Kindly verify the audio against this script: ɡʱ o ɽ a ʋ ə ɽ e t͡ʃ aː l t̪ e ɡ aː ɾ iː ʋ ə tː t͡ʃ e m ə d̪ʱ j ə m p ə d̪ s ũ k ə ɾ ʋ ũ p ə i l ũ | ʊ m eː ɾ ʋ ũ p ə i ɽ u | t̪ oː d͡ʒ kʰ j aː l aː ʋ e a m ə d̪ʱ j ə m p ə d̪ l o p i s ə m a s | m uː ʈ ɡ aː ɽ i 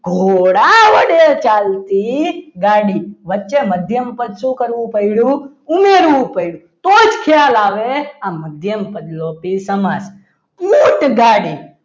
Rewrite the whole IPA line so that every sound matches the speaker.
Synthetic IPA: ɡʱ o ɽ a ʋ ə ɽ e t͡ʃ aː l t̪ i ɡ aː ɽ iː ʋ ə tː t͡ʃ e m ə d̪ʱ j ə m p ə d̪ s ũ k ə ɾ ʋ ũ p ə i ɽ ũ | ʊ m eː ɾ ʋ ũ p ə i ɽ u | t̪ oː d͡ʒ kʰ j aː l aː ʋ e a m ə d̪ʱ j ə m p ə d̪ l o p i s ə m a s | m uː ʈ ɡ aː ɽ i

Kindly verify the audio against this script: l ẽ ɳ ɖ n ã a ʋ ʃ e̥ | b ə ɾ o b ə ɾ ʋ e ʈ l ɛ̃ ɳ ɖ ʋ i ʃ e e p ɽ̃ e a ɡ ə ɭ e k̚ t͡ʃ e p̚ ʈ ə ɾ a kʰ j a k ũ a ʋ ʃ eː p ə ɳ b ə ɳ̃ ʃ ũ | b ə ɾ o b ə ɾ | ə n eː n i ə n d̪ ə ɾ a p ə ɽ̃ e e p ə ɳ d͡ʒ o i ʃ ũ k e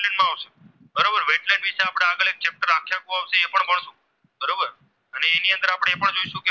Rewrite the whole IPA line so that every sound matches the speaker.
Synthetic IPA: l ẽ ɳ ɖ m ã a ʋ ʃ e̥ | b ə ɾ o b ə ɾ ʋ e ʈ l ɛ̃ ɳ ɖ ʋ i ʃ e a p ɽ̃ e a ɡ ə ɭ e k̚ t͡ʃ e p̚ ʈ ə ɾ a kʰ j a k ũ a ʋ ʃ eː p ə ɳ b ə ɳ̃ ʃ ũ | b ə ɾ o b ə ɾ | ə n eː n i ə n d̪ ə ɾ a p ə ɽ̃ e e p ə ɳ d͡ʒ o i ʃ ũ k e

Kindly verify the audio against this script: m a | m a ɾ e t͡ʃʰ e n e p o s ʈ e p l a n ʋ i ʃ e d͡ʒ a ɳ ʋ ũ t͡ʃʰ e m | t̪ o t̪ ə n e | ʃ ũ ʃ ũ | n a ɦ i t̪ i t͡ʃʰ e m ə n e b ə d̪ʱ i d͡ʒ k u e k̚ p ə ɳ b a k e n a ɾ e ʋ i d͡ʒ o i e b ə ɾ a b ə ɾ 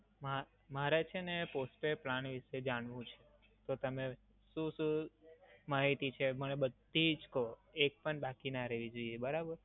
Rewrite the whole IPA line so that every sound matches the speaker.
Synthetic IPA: m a | m a ɾ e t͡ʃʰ e n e p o s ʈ e p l a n ʋ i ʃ e d͡ʒ a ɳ ʋ ũ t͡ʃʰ e | t̪ o t̪ ə m e | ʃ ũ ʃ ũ | m a ɦ i t̪ i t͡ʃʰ e m ə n e b ə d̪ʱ i d͡ʒ k o e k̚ p ə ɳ b a k i n a ɾ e ʋ i d͡ʒ o i e b ə ɾ a b ə ɾ

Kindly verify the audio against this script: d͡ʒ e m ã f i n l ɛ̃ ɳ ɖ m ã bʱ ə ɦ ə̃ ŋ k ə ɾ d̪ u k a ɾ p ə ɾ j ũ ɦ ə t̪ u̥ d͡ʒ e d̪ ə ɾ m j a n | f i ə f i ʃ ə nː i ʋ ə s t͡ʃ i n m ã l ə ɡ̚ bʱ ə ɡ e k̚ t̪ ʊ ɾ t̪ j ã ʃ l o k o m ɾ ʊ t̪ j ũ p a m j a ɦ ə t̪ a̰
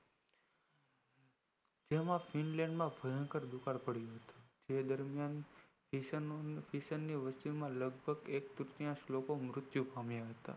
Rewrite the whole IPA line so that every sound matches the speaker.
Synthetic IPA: d͡ʒ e m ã f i n l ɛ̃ ɳ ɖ m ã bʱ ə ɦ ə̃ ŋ k ə ɾ d̪ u k a ɾ p ə ɽ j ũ ɦ ə t̪ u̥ d͡ʒ e d̪ ə ɾ m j a n | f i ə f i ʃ ə nː i ʋ ə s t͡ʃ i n m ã l ə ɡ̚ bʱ ə ɡ e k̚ t̪ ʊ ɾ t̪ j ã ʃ l o k o m ɾ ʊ t̪ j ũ p a m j a ɦ ə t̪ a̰

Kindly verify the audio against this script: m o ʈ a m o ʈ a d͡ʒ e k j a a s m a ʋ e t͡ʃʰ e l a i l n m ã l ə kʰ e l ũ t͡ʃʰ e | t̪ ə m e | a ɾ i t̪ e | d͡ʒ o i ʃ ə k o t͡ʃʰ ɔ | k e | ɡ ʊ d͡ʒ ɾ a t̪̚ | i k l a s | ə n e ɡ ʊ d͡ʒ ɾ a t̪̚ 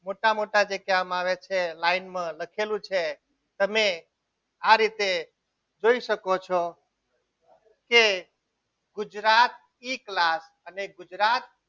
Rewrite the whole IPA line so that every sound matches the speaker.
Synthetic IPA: m o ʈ a m o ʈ a d͡ʒ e k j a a m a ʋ e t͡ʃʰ e l a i n m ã l ə kʰ e l ũ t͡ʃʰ e | t̪ ə m e | a ɾ i t̪ e | d͡ʒ o i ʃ ə k o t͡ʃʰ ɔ | k e | ɡ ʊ d͡ʒ ɾ a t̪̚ | i k l a s | ə n e ɡ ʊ d͡ʒ ɾ a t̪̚

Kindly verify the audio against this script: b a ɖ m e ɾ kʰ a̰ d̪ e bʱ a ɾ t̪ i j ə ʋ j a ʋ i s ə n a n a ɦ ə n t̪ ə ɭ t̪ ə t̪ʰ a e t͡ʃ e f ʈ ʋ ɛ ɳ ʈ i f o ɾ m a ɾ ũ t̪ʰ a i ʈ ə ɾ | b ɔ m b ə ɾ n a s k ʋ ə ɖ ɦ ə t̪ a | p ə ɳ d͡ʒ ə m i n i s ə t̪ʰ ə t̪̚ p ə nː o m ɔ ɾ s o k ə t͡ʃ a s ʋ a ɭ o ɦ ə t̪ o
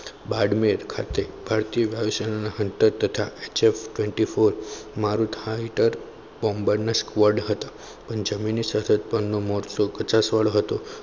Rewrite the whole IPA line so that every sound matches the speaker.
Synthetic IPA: b a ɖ m e ɾ kʰ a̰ t̪ e bʱ a ɾ t̪ i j ə ʋ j a ʋ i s ə n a n a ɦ ə n t̪ ə ɾ t̪ ə t̪ʰ a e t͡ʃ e f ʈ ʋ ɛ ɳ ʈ i f o ɾ m a ɾ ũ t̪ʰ a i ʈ ə ɾ | b ɔ m b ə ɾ n a s k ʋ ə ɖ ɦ ə t̪ a | p ə ɳ d͡ʒ ə m i n i s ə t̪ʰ ə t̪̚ p ə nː o m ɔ ɾ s o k ə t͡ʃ a s ʋ a ɭ o ɦ ə t̪ o

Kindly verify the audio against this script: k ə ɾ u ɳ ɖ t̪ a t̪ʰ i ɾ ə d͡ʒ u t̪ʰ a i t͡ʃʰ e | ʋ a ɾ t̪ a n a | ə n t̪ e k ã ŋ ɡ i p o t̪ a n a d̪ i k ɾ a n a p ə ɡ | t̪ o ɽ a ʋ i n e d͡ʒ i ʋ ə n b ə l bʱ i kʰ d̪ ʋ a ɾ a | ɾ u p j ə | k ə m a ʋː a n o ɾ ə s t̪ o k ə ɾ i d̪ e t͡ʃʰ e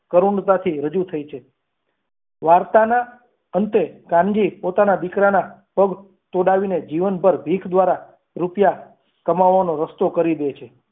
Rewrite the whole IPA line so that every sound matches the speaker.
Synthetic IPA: k ə ɾ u ɳ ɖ t̪ a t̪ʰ i ɾ ə d͡ʒ u t̪ʰ ə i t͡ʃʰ e | ʋ a ɾ t̪ a n a | ə n t̪ e k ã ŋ ɡ i p o t̪ a n a d̪ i k ɾ a n a p ə ɡ | t̪ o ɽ a ʋ i n e d͡ʒ i ʋ ə n b ə ɾ bʱ i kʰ d̪ ʋ a ɾ a | ɾ u p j a | k ə m a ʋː a n o ɾ ə s t̪ o k ə ɾ i d̪ e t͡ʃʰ e

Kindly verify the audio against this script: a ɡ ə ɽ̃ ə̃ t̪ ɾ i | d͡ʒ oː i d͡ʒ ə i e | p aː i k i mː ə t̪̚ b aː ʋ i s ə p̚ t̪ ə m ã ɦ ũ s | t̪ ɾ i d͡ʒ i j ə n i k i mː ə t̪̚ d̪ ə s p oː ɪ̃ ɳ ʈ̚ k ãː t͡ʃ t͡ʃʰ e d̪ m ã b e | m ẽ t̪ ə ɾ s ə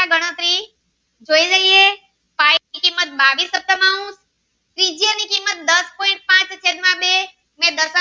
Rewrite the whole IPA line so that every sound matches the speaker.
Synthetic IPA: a ɡ ə ɽ̃ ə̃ t̪ ɾ i | d͡ʒ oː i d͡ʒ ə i e | p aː i k i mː ə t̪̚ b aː ʋ i s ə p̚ t̪ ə m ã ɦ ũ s | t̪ ɾ i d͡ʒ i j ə n i k i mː ə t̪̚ d̪ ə s p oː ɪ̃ ɳ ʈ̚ p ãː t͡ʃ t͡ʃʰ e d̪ m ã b e | m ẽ d̪ ə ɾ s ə

